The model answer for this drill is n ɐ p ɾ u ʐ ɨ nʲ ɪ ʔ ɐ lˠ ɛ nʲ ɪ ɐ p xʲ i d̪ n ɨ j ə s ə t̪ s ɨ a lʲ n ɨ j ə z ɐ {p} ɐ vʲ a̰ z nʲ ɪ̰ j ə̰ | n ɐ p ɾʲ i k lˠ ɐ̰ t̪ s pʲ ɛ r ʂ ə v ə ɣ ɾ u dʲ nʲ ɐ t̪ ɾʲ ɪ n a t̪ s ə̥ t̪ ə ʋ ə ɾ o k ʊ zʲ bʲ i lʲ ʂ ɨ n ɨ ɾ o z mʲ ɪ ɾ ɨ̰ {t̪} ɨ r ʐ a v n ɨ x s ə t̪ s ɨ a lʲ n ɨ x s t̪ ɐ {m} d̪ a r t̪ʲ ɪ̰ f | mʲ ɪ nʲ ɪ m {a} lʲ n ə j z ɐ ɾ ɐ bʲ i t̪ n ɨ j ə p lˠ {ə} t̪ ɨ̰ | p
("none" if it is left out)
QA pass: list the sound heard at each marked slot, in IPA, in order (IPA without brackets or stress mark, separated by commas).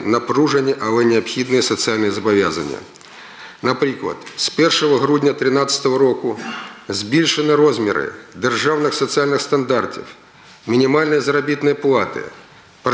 b, d̪, n, a, a